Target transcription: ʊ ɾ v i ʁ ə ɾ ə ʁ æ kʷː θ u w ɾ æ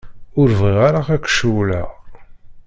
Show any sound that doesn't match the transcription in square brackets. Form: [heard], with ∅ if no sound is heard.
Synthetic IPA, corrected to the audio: ʊ ɾ v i ʁ [a] ɾ [a] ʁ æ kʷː [ʃ] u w [l] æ